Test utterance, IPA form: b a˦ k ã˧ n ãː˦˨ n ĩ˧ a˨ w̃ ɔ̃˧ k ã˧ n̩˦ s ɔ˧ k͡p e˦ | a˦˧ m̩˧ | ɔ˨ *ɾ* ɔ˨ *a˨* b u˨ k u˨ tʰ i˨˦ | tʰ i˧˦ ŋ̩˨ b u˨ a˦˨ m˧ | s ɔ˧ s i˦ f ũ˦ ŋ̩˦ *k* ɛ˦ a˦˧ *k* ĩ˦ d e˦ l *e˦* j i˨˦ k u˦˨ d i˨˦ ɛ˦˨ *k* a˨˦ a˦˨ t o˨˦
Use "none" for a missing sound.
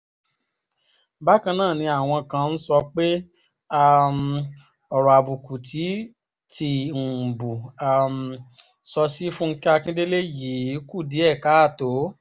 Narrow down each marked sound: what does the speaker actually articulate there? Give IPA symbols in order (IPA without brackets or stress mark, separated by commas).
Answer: ɾ, a˨, k, k, e˦, k